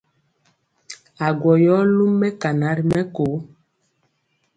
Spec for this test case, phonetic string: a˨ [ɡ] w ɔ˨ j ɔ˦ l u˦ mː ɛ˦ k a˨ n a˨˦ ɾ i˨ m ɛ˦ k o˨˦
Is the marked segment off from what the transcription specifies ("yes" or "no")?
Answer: no